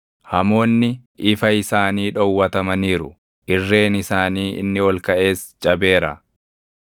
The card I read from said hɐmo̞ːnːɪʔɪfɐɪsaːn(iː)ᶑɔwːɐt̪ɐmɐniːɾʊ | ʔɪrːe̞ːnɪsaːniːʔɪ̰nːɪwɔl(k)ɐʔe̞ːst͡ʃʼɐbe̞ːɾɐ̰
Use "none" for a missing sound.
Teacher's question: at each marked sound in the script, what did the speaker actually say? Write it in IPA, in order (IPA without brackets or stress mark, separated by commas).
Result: iː, k